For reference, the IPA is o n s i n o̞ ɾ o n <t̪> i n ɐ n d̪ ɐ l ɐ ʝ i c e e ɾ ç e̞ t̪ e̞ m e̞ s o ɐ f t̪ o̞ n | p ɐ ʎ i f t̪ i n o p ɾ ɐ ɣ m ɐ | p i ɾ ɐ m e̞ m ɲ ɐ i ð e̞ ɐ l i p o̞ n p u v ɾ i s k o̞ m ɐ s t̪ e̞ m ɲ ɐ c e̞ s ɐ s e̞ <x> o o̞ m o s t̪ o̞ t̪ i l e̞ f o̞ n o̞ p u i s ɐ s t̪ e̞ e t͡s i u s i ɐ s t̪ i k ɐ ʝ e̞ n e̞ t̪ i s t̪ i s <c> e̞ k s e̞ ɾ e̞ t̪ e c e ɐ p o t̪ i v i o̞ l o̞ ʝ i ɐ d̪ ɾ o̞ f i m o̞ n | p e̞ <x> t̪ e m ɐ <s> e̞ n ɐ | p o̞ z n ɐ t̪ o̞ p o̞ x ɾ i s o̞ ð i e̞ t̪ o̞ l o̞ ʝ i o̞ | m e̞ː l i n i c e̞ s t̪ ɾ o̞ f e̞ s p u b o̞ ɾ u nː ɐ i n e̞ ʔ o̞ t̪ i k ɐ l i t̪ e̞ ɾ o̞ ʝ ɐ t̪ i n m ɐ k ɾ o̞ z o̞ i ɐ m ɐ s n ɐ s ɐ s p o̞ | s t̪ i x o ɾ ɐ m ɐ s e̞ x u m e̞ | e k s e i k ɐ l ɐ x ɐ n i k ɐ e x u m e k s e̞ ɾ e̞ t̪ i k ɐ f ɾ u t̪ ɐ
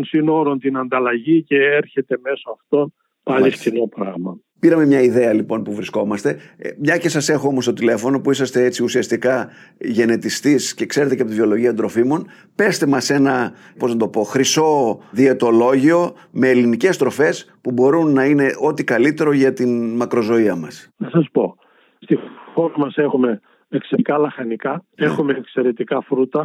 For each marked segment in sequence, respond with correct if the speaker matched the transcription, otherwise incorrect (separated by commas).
correct, correct, correct, incorrect, correct